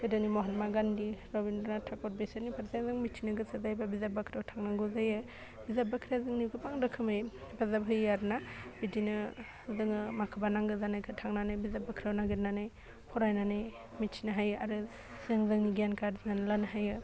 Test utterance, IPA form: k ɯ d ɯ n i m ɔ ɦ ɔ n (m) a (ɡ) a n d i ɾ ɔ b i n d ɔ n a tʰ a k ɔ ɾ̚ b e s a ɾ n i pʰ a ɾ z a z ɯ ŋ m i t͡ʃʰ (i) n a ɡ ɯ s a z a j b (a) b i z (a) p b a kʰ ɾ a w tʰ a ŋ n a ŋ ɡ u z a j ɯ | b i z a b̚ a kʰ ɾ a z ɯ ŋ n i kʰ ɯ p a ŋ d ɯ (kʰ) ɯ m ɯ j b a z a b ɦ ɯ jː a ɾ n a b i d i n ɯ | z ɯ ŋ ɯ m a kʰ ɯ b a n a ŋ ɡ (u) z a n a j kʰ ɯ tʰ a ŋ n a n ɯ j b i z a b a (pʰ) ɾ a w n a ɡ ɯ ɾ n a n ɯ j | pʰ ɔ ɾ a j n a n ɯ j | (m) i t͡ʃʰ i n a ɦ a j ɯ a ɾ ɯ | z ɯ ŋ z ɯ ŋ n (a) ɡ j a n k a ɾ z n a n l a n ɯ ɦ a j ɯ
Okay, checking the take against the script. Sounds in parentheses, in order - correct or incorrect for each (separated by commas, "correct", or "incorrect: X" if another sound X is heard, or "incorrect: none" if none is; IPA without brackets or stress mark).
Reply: correct, correct, correct, correct, correct, correct, incorrect: ɯ, incorrect: kʰ, correct, incorrect: i